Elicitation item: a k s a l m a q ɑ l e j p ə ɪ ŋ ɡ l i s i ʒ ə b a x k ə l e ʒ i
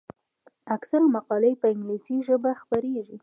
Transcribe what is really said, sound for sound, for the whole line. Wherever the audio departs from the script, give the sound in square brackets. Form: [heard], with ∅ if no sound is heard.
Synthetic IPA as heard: a k s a l m a q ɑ l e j p ə ɪ ŋ ɡ l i s i ʒ ə b a x [p] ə [ɾ] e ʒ i